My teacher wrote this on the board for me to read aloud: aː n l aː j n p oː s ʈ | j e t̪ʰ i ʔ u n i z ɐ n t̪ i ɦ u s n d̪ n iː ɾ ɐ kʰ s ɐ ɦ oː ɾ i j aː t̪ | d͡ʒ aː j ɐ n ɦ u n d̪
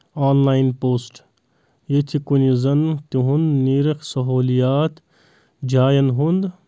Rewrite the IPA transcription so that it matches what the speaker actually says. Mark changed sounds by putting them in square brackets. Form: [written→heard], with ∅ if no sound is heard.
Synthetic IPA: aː n l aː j n p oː s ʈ | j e t̪ʰ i [ʔ→k] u n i z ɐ n t̪ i ɦ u [s→∅] n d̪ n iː ɾ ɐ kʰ s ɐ ɦ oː [ɾ→l] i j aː t̪ | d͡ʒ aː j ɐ n ɦ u n d̪